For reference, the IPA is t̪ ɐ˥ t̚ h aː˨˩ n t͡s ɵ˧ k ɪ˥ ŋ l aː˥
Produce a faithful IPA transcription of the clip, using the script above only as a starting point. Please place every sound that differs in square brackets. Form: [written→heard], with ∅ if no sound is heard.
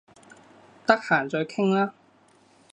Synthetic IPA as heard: t̪ ɐ˥ [t̚→k̚] h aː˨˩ n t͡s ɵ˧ [k→kʰ] ɪ˥ ŋ l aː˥